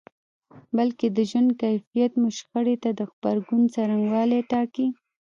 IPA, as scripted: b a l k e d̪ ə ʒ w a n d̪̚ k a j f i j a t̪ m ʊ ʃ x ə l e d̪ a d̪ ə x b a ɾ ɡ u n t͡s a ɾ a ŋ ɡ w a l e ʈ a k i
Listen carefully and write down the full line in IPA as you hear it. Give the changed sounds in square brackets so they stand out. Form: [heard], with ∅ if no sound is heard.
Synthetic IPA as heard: b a l k e d̪ ə ʒ w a n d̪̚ k a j f i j a t̪ m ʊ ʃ x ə [ɽ] e [t̪] a d̪ ə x b a ɾ ɡ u n t͡s a ɾ a ŋ ɡ w [ɑ] l e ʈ [ɑ] k i